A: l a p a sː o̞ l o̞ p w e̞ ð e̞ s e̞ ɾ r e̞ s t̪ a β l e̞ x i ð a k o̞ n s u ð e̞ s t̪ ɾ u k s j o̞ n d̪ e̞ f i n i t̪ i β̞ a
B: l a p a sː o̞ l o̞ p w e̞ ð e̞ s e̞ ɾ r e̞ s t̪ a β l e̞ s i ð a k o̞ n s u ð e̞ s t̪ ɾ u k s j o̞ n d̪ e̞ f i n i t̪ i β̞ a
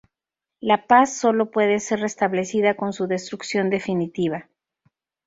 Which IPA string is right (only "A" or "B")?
B